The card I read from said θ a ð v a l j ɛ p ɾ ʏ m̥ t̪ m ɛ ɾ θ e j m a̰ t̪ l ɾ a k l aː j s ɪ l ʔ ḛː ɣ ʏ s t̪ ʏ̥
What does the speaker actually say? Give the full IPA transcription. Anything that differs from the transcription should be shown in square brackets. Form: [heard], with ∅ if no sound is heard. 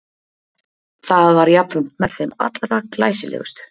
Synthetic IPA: θ a ð v a [ɾ] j [a] p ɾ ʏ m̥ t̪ m ɛ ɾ θ e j m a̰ t̪ l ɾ a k l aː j s ɪ l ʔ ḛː ɣ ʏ s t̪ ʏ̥